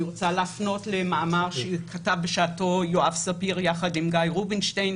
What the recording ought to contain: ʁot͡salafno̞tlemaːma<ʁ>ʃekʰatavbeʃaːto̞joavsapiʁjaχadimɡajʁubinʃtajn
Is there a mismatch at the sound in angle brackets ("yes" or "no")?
no